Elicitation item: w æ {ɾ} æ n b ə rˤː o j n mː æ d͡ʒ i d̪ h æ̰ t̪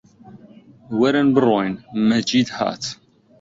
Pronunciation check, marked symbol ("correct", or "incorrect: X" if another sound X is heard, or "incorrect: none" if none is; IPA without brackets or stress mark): correct